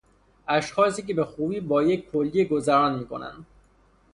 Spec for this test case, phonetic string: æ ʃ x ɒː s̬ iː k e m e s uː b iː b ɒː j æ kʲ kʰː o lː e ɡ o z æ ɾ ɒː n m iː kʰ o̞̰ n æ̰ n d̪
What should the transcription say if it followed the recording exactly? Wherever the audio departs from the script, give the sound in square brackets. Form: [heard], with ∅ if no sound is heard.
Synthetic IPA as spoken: æ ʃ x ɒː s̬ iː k e [b] e [x] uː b iː b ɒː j [e] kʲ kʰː o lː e ɡ o z æ ɾ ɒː n m iː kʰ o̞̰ n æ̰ n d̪